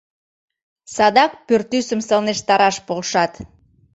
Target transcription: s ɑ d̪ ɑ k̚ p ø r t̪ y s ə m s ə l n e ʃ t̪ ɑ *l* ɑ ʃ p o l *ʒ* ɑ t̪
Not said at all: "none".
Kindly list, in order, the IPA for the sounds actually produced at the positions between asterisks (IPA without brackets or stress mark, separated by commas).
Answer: ɾ, ʃ